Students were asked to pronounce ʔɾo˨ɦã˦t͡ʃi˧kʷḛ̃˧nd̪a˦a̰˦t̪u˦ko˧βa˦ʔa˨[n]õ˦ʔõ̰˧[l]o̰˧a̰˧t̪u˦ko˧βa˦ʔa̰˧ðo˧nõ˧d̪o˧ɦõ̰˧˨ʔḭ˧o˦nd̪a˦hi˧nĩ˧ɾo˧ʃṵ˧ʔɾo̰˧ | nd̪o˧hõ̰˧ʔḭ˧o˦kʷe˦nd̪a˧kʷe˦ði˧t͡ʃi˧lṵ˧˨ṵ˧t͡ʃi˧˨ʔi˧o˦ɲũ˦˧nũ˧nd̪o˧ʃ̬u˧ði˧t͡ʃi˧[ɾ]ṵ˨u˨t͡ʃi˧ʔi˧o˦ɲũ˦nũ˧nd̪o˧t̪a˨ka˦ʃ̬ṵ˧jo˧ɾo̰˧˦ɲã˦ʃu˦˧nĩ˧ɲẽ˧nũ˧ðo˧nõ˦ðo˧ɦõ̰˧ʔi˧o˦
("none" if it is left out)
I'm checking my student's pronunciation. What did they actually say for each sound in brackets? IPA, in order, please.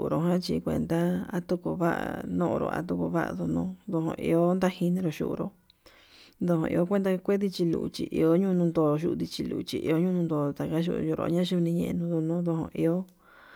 n, ɾ, l

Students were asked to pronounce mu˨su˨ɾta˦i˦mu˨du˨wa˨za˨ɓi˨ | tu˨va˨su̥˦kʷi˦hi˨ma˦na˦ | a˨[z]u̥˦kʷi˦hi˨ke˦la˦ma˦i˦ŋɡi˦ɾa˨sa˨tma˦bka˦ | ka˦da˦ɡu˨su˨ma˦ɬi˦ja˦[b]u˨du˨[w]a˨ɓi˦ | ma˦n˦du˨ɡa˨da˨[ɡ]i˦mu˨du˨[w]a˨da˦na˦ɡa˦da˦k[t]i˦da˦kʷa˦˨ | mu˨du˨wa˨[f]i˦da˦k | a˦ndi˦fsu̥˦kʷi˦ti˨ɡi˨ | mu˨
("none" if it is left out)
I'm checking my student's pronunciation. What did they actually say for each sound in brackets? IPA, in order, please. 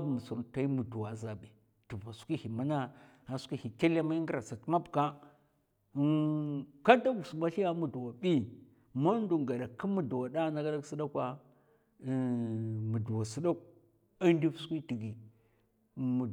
s, m, w, k, w, s, s

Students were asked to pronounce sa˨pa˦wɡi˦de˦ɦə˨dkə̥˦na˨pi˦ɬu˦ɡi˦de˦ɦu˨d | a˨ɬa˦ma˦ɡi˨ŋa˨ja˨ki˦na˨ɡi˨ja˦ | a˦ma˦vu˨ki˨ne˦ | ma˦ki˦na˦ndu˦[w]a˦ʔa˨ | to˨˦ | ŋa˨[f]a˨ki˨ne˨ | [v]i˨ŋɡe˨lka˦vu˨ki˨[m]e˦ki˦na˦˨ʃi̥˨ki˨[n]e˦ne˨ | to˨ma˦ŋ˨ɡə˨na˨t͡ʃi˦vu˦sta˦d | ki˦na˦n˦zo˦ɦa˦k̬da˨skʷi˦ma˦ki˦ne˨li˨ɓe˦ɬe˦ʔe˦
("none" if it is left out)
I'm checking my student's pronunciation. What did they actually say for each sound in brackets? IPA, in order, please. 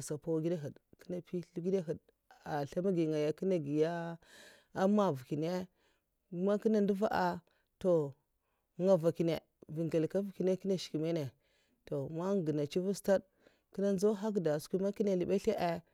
v, v, v, n, m

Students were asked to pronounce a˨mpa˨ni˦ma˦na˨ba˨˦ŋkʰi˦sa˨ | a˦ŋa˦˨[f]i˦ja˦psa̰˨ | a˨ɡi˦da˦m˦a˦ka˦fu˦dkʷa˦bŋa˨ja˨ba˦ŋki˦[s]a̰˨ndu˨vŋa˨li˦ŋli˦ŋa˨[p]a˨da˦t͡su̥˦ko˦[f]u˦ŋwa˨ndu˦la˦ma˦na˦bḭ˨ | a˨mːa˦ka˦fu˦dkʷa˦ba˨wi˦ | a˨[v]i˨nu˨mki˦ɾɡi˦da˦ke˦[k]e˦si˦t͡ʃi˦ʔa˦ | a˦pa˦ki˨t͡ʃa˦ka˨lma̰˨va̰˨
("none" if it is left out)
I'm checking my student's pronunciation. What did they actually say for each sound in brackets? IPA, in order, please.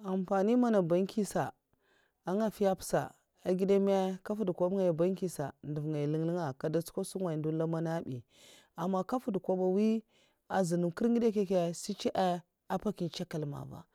f, s, k, s, z, k

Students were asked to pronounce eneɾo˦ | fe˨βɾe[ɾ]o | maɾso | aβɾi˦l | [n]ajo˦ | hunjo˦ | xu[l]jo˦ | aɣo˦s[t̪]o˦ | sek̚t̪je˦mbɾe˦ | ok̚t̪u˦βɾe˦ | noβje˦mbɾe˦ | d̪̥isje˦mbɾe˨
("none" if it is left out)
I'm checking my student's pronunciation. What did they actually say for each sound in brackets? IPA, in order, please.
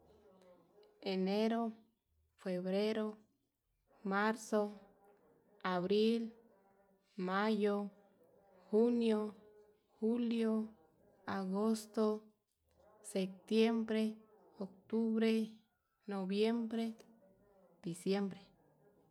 ɾ, m, l, t̪

